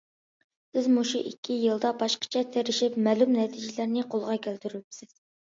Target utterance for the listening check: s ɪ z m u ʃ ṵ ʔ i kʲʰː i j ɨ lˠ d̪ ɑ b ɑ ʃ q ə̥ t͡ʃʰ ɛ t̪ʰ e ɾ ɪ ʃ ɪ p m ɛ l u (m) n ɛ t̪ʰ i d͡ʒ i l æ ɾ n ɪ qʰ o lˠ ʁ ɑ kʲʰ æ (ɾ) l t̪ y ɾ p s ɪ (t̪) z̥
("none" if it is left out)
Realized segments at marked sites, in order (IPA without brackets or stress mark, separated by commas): m, none, none